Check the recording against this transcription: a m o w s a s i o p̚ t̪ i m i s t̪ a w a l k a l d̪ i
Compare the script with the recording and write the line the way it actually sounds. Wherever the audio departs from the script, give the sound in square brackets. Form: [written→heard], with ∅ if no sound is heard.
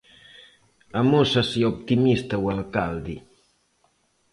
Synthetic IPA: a m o [w→∅] s a s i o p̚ t̪ i m i s t̪ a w a l k a l d̪ i